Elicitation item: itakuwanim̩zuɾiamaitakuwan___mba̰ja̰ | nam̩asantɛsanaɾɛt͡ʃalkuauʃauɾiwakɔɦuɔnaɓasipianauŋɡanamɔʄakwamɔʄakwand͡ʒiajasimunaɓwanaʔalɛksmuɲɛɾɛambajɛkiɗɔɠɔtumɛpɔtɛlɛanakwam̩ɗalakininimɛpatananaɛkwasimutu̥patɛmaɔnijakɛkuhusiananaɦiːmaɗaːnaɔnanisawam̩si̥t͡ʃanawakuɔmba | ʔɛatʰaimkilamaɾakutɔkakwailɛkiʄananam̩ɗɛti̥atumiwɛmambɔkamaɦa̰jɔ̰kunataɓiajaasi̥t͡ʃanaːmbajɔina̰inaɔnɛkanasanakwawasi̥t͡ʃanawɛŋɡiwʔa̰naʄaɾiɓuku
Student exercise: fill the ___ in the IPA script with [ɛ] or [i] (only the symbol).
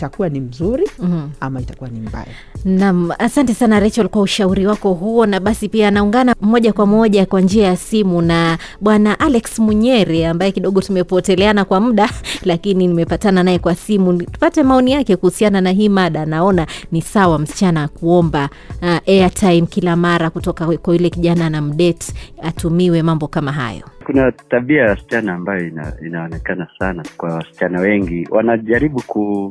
i